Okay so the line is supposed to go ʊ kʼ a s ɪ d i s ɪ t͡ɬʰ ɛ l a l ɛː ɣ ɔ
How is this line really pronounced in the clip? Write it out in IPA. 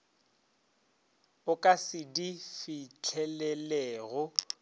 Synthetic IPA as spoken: ʊ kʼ a s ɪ d i f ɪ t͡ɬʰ ɛ l ɛ l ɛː ɣ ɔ